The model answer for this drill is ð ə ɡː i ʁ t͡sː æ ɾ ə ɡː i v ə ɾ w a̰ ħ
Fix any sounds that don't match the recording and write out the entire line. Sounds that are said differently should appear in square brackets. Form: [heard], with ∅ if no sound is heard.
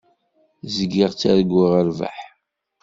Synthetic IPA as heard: [z] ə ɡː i ʁ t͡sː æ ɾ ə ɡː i [ʁ] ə ɾ [v] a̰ ħ